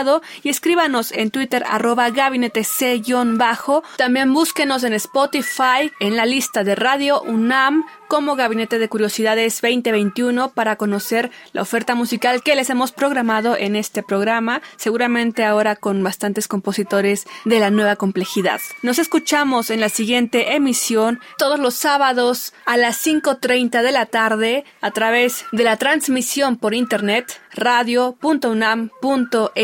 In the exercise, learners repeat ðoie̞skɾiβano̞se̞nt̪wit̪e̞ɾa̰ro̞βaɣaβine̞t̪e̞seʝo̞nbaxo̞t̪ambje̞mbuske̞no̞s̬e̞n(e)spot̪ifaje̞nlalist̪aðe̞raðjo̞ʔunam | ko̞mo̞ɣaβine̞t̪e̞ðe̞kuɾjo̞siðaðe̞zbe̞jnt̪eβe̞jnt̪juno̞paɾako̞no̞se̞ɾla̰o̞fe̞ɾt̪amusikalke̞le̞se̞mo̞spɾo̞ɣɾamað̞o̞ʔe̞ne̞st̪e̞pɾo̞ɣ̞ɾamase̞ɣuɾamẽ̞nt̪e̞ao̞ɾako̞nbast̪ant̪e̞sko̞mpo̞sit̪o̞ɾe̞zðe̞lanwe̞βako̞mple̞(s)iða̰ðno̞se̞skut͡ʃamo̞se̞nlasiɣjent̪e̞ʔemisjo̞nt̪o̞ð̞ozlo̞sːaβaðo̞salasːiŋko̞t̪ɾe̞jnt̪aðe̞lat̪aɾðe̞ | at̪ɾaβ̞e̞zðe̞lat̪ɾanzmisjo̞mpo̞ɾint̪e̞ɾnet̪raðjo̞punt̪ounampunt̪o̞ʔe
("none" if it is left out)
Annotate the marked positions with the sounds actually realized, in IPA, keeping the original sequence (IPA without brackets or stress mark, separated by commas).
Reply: e, x